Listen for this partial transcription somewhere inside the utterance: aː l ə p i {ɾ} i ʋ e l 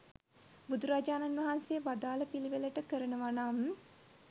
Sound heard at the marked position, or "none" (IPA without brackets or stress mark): l